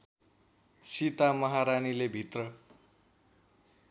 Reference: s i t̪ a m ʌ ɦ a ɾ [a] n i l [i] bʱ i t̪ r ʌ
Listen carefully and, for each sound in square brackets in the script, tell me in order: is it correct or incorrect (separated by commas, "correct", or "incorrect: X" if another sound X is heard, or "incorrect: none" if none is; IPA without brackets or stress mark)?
correct, incorrect: e